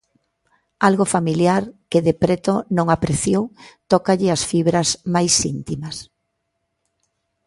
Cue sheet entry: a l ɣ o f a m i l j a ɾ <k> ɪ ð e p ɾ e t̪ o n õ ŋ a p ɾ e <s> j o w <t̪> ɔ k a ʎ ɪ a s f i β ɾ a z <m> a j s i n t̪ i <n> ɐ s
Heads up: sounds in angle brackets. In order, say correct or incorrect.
correct, incorrect: θ, correct, correct, incorrect: m

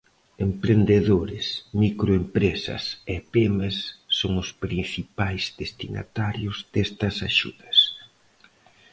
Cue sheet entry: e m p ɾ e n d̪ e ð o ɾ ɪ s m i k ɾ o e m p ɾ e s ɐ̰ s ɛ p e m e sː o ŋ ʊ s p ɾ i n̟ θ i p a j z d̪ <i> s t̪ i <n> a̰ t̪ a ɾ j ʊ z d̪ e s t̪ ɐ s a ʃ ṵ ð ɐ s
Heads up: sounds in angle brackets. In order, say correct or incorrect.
incorrect: e, correct

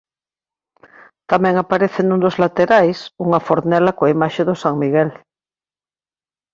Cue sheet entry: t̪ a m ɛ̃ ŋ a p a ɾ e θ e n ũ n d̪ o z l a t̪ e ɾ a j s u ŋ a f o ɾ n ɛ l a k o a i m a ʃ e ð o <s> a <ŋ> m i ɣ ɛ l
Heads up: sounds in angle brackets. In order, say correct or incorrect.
correct, correct

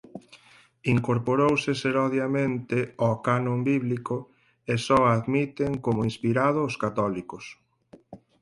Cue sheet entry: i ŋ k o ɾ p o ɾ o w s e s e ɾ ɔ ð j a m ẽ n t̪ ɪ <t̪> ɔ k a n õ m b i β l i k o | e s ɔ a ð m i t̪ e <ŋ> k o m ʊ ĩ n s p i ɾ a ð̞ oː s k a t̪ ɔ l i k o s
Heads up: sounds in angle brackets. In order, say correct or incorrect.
incorrect: none, correct

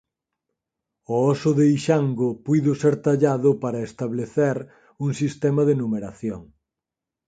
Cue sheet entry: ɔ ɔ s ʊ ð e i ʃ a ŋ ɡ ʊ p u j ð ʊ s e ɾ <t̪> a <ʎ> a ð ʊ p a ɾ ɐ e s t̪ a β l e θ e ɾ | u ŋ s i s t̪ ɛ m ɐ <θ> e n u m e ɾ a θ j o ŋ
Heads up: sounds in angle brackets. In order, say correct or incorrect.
correct, correct, incorrect: ð

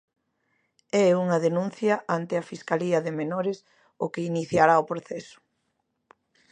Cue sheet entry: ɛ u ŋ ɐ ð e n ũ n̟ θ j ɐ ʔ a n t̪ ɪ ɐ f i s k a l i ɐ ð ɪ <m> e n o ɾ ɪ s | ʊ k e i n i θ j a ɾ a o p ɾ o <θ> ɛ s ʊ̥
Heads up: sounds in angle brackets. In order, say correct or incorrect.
correct, correct

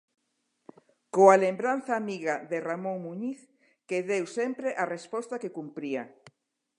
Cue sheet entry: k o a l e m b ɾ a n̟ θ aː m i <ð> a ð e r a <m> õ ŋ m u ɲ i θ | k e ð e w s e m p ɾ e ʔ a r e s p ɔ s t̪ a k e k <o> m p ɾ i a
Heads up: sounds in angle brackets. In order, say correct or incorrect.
incorrect: ɣ, correct, incorrect: u

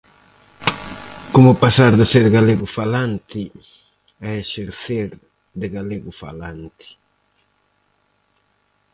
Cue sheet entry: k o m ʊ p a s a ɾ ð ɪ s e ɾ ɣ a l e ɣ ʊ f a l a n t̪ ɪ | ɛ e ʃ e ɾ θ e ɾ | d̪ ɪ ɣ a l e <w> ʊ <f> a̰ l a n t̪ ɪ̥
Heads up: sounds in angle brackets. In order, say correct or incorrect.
incorrect: ɣ, correct

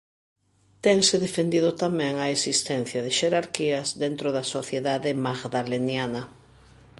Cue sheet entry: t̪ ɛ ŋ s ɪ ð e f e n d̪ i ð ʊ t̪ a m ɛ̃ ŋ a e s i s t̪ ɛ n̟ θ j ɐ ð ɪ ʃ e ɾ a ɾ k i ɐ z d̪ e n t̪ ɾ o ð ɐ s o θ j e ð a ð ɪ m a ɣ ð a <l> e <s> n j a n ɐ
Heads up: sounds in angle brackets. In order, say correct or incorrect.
correct, incorrect: none

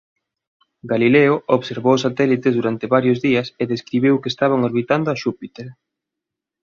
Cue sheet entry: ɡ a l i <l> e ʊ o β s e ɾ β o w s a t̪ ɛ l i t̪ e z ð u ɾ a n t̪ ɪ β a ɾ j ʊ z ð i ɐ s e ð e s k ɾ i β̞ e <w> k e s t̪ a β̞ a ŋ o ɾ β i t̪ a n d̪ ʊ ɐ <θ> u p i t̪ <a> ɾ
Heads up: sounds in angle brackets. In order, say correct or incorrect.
correct, correct, incorrect: ʃ, incorrect: e

